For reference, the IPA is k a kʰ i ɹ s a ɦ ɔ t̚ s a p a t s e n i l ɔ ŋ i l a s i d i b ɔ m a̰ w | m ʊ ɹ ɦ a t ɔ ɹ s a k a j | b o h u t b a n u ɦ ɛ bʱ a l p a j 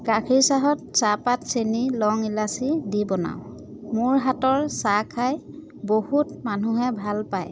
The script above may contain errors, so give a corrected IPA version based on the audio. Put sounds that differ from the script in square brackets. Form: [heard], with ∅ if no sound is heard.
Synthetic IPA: k a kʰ i ɹ s a ɦ ɔ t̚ s a p a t s e n i l ɔ ŋ i l a s i d i b ɔ [n] a̰ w | m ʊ ɹ ɦ a t ɔ ɹ s a [kʰ] a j | b o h u t [m] a n u ɦ ɛ bʱ a l p a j